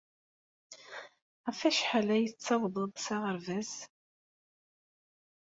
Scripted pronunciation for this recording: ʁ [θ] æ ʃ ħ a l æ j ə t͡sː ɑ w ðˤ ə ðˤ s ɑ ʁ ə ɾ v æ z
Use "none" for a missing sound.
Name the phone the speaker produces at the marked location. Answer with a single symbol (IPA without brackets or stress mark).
f